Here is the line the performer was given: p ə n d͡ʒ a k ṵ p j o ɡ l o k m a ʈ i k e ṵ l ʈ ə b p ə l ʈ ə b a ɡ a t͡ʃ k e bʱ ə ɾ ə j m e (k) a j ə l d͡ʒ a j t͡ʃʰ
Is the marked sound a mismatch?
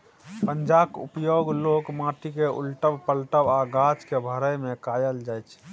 no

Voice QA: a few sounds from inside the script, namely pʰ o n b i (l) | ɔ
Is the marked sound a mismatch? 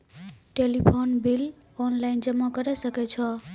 no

